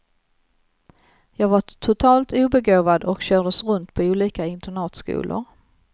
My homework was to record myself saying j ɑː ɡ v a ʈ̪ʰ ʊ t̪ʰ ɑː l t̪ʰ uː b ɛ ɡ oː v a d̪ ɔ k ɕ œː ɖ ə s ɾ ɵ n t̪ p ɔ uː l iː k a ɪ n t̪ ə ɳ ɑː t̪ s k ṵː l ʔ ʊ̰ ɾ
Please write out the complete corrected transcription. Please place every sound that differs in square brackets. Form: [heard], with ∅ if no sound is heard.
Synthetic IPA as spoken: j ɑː ɡ v a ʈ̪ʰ ʊ t̪ʰ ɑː l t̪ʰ uː b ɛ ɡ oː v a d̪ ɔ k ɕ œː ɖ ə s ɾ ɵ n t̪ [pʰ] ɔ uː l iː k a ɪ n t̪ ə ɳ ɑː t̪ s k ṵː l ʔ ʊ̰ ɾ